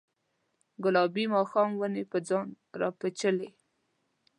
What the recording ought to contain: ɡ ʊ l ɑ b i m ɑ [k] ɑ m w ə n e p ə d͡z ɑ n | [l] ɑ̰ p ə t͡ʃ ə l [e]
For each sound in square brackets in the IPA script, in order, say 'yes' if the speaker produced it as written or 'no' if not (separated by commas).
no, no, yes